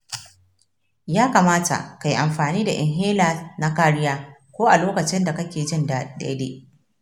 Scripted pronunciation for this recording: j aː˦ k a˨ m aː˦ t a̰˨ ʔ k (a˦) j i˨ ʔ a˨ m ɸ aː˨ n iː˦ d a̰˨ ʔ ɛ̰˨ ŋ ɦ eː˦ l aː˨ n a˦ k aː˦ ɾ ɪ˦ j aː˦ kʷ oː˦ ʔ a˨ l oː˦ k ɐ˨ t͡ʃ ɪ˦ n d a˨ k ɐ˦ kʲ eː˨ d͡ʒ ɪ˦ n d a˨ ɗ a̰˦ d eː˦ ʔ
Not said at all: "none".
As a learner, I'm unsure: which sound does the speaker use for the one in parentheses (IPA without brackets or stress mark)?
a˨